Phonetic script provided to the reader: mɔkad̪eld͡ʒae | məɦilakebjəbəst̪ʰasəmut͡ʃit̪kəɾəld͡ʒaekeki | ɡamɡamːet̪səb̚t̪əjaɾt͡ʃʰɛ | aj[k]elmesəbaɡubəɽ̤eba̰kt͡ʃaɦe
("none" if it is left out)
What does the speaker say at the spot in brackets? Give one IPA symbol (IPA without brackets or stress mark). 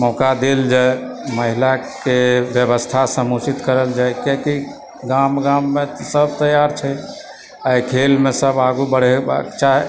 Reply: kʰ